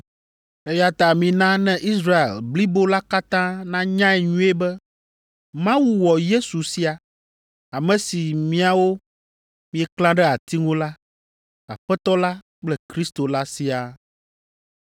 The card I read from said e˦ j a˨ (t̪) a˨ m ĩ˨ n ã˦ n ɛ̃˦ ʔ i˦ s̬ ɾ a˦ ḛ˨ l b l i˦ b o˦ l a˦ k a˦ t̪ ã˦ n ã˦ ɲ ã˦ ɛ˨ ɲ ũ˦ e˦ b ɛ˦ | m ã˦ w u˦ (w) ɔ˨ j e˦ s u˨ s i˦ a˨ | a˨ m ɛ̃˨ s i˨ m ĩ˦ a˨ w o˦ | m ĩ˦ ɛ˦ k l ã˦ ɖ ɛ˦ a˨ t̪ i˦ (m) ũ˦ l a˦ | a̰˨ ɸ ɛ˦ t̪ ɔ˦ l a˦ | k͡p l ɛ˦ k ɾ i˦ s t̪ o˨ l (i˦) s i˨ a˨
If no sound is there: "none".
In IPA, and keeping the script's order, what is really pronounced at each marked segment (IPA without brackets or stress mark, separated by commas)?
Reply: t̪, w, ŋ, a˦